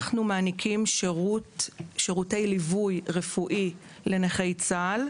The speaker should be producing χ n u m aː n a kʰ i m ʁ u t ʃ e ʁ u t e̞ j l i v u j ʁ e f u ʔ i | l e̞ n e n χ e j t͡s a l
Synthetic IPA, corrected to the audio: χ n u m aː n i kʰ i m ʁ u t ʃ e ʁ u t e̞ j l i v u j ʁ e f u ʔ i | l e̞ n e χ e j t͡s a l